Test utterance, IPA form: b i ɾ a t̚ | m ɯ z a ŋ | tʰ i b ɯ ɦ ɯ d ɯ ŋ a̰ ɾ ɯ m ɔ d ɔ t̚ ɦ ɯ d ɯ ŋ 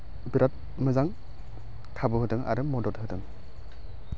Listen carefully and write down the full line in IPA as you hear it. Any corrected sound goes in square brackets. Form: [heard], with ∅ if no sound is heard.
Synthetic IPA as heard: b i ɾ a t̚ | m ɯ z a ŋ | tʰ [a] b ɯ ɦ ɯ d ɯ ŋ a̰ ɾ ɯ m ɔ d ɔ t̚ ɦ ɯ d ɯ ŋ